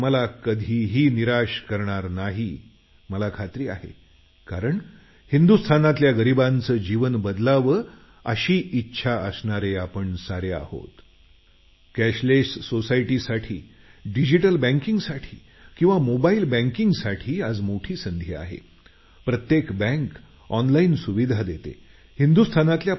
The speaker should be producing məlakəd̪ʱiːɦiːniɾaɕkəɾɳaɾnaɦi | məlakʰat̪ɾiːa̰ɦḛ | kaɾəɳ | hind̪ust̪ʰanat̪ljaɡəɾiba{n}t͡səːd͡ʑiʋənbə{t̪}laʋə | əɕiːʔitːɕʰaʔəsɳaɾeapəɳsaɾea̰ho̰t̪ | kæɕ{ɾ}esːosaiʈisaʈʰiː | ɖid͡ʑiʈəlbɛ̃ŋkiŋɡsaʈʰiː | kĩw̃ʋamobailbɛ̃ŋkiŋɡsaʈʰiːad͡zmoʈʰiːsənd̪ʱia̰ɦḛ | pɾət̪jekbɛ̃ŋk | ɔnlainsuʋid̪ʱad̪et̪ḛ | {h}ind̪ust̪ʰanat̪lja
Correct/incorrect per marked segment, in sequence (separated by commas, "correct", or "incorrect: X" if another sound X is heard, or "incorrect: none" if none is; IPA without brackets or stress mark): correct, incorrect: d̪, incorrect: l, correct